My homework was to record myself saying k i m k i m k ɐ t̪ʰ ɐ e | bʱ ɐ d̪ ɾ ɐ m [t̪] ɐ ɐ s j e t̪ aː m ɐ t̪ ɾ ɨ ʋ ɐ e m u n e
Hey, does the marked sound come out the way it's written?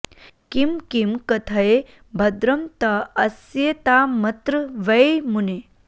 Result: yes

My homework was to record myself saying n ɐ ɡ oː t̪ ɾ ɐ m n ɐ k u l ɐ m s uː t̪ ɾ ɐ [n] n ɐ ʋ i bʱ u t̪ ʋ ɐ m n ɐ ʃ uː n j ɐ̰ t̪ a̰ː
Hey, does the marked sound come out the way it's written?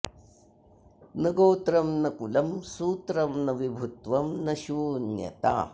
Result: no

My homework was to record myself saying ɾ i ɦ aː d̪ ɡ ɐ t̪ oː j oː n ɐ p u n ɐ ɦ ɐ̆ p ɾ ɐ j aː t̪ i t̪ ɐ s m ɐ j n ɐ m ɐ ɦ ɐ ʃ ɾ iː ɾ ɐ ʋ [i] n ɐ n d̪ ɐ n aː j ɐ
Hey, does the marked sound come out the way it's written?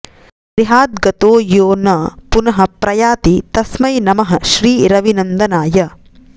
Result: yes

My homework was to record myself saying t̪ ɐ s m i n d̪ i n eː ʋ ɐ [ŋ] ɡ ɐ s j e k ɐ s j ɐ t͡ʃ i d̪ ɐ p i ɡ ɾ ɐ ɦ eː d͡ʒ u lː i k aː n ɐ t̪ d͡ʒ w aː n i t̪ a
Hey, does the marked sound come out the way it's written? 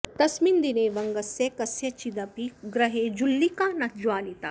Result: yes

